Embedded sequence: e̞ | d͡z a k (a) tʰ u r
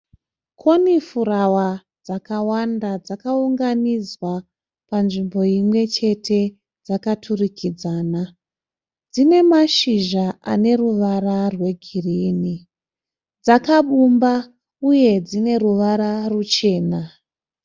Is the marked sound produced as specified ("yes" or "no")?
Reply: yes